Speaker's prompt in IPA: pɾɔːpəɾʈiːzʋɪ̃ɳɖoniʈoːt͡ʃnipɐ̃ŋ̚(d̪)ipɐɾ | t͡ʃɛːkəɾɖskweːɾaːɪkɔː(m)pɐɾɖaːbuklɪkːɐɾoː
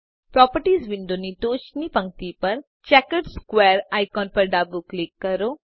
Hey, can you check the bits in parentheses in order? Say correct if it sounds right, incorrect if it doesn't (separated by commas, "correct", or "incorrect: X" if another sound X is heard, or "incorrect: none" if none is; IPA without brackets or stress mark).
incorrect: t̪, incorrect: n